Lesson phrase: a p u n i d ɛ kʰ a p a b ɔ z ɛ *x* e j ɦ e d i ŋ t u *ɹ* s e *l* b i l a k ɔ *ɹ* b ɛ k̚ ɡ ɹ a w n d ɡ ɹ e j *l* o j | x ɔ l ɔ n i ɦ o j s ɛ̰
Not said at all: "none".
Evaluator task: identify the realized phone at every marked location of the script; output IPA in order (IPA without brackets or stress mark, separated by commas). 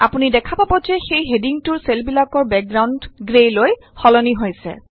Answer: x, ɹ, l, ɹ, l